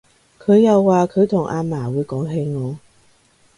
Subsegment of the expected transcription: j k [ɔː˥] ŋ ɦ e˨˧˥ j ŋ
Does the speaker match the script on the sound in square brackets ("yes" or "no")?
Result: no